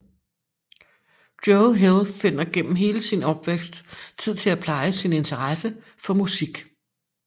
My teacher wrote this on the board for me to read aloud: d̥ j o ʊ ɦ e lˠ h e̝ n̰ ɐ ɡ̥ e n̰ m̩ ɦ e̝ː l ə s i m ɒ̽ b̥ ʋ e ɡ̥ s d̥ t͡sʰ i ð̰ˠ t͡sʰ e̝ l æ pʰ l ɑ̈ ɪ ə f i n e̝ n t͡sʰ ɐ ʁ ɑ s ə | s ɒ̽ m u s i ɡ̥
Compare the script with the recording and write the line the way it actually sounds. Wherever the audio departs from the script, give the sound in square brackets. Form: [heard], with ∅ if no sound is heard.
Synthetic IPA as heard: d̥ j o ʊ ɦ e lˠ [f] e̝ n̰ ɐ ɡ̥ e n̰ m̩ ɦ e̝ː l ə s i [n] ɒ̽ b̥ ʋ e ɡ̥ s d̥ t͡sʰ i ð̰ˠ t͡sʰ e̝ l æ pʰ l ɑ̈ ɪ ə [s] i n e̝ n t͡sʰ ɐ ʁ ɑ s ə | [f] ɒ̽ m u s i ɡ̥